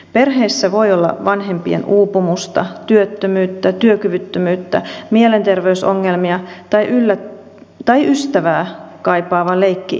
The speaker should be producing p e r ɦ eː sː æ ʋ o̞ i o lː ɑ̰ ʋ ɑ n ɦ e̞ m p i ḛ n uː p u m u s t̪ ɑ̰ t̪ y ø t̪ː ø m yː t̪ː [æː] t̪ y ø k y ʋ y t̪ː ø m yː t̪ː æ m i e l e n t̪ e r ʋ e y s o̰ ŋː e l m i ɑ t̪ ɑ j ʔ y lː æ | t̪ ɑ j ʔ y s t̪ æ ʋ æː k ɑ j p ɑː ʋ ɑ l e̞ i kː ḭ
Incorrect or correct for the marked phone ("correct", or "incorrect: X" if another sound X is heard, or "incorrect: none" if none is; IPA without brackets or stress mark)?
incorrect: æ